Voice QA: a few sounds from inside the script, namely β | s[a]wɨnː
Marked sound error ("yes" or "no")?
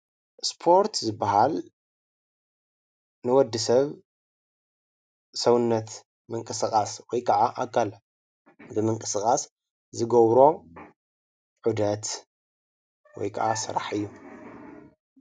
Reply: yes